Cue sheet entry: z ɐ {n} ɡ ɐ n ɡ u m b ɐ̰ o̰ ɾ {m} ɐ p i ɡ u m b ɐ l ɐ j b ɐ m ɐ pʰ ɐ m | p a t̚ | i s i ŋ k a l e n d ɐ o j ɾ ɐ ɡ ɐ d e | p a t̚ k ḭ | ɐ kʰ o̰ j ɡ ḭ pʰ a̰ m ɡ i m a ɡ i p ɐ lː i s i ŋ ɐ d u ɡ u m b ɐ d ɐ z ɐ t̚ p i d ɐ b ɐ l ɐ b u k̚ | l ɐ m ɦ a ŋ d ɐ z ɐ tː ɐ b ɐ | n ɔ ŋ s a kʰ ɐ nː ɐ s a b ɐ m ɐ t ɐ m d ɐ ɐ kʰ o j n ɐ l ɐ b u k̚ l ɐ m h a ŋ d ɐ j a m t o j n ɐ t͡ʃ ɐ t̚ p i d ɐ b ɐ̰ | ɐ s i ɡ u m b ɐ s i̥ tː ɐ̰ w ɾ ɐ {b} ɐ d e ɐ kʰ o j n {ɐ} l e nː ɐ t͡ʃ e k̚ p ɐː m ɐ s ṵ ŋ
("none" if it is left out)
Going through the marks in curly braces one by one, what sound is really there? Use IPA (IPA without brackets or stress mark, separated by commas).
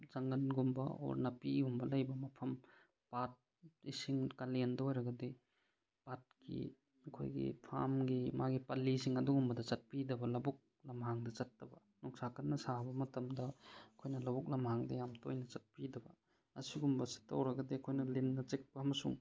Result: ŋ, n, ɡ, ɐ